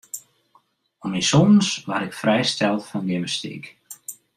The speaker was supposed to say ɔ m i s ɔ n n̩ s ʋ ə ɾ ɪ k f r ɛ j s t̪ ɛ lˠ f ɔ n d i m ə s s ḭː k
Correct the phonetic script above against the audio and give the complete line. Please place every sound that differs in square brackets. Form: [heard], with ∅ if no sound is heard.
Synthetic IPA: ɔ m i s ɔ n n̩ s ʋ [a] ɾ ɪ k f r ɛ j s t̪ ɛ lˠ f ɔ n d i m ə s [t] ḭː k